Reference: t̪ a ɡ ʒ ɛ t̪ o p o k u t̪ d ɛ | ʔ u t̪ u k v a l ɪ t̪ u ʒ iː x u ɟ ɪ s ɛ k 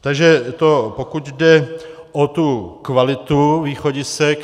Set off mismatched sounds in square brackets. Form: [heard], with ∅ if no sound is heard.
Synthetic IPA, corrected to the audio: t̪ a ɡ ʒ ɛ t̪ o p o k u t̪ d ɛ | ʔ [o] t̪ u k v a l ɪ t̪ u [v] iː x [o] ɟ ɪ s ɛ k